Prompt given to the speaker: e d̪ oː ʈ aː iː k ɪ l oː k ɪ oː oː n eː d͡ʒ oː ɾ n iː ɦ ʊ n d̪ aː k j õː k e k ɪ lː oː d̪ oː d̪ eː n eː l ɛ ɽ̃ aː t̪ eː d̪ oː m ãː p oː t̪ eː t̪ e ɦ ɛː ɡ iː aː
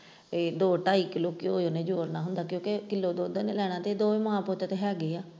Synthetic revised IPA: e d̪ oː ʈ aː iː k ɪ l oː k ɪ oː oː n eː d͡ʒ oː ɾ n aː ɦ ʊ n d̪ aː k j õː k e k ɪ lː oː d̪ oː d̪ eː n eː l ɛː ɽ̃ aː t̪ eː d̪ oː m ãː p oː t̪ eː t̪ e ɦ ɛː ɡ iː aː